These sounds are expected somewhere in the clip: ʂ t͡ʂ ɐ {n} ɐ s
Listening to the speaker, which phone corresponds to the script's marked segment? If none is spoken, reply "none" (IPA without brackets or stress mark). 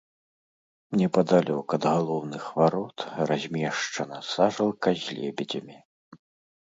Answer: n